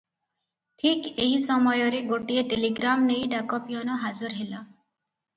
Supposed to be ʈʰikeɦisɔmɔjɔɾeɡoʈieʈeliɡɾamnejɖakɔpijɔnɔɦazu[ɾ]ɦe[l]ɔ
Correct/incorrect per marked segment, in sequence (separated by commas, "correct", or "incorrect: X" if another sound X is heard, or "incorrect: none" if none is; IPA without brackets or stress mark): correct, correct